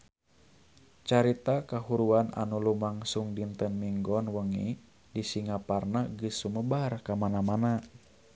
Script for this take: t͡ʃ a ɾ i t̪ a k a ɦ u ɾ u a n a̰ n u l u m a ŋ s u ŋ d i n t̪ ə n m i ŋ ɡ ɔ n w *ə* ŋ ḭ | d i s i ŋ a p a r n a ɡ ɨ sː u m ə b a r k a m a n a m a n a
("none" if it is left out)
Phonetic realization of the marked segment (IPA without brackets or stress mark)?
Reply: ə